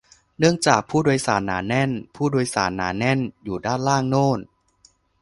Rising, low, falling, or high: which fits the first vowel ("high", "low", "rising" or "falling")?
falling